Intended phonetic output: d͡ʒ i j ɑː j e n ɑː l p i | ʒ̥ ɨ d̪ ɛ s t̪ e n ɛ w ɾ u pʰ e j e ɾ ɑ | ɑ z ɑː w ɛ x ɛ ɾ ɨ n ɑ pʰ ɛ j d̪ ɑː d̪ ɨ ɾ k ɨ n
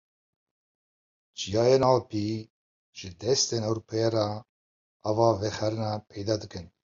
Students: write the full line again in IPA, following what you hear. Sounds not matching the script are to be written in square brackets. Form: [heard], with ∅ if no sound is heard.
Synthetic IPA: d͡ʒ i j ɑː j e n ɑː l p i | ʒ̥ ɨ d̪ ɛ s t̪ e n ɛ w ɾ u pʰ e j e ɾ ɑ | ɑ [v] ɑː [v] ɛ x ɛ ɾ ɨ n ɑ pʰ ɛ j d̪ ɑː d̪ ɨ [∅] k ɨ n